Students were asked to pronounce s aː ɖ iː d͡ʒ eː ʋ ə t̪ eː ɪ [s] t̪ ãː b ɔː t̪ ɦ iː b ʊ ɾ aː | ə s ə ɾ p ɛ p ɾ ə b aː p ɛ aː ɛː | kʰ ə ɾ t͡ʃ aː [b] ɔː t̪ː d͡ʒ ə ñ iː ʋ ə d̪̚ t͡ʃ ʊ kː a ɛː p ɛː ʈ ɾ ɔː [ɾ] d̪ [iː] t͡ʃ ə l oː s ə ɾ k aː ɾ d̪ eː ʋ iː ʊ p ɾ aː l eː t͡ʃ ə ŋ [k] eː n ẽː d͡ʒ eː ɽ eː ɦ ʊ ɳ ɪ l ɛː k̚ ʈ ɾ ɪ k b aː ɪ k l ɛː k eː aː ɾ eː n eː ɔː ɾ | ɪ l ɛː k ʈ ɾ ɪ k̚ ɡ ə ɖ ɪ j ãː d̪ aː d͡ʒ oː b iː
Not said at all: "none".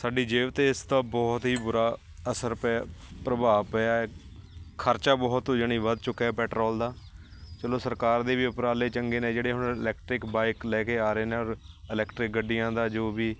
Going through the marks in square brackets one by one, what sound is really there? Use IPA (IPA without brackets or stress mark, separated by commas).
s, b, l, aː, ɡ